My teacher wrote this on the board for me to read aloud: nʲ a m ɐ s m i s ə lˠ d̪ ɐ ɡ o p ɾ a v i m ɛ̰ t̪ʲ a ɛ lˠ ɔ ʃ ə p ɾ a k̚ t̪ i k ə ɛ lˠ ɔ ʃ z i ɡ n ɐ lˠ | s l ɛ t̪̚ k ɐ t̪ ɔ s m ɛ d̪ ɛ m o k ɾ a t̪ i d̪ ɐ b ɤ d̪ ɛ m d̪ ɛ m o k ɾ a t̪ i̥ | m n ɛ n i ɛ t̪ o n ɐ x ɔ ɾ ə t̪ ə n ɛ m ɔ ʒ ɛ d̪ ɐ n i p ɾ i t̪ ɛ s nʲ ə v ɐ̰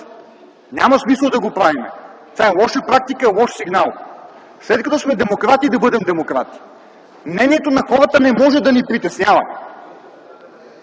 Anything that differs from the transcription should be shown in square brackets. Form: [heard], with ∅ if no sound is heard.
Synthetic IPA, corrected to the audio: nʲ a m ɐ s m i s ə lˠ d̪ ɐ ɡ o p ɾ a v i m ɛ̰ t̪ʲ a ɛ lˠ ɔ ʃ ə p ɾ a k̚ t̪ i k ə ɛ lˠ ɔ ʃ [s] i ɡ n [a] lˠ | s l ɛ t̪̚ k ɐ t̪ ɔ s m ɛ d̪ ɛ m o k ɾ a t̪ i d̪ ɐ b ɤ d̪ ɛ m d̪ ɛ m o k ɾ a t̪ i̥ | m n ɛ n i ɛ t̪ o n ɐ x ɔ ɾ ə t̪ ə n ɛ m ɔ ʒ ɛ d̪ ɐ n i p ɾ i t̪ ɛ s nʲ [a] v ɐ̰

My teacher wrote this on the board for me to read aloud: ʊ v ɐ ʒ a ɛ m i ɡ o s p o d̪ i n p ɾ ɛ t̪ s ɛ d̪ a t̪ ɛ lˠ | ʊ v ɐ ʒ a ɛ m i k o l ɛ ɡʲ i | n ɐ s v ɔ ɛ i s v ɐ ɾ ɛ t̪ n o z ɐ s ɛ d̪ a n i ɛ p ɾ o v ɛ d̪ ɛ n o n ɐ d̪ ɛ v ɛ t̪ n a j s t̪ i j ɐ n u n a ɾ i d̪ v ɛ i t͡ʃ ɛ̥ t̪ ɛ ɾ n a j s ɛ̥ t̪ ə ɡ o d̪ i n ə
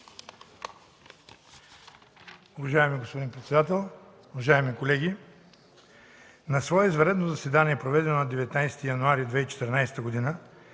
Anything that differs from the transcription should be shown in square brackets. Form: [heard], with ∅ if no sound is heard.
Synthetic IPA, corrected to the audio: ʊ v ɐ ʒ a ɛ m i ɡ o s p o d̪ i n p ɾ ɛ t̪ s ɛ d̪ a t̪ ɛ lˠ | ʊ v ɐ ʒ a ɛ m i k o l ɛ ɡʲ i | n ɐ s v ɔ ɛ i [z] v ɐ ɾ ɛ [d̪] n o z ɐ s ɛ d̪ a n i ɛ p ɾ o v ɛ d̪ ɛ n o n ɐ d̪ ɛ v ɛ t̪ n a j s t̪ i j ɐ n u [∅] a ɾ i d̪ v ɛ i t͡ʃ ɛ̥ t̪ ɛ ɾ n a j s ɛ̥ t̪ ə ɡ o d̪ i n ə

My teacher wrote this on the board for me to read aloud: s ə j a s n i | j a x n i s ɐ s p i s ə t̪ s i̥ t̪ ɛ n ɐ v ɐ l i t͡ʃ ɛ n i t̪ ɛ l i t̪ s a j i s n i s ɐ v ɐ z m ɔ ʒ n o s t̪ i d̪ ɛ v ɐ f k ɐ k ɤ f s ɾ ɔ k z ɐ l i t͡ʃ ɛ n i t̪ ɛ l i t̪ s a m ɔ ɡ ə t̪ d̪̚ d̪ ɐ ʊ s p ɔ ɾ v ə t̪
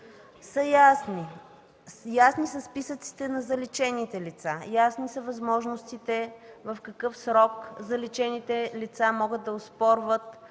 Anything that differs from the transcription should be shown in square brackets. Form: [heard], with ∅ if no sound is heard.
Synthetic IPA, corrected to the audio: s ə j a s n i | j a [s] n i s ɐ s p i s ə t̪ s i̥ t̪ ɛ n ɐ [z] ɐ l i t͡ʃ ɛ n i t̪ ɛ l i t̪ s a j [a] s n i s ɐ v ɐ z m ɔ ʒ n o s t̪ i [t̪] ɛ v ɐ f k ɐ k ɤ f s ɾ ɔ k z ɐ l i t͡ʃ ɛ n i t̪ ɛ l i t̪ s a m ɔ ɡ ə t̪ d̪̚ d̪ ɐ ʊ s p ɔ ɾ v ə t̪

